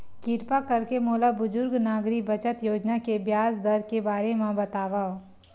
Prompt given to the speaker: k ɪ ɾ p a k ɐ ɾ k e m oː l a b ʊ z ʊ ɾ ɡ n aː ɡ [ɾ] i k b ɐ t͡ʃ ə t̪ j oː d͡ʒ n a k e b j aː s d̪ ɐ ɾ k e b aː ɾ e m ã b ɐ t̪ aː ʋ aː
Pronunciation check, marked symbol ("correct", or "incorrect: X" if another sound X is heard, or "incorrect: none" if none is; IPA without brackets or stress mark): correct